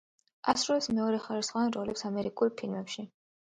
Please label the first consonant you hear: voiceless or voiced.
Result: voiceless